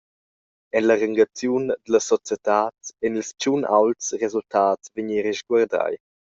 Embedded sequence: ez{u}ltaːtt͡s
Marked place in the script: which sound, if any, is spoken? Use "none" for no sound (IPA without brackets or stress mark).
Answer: u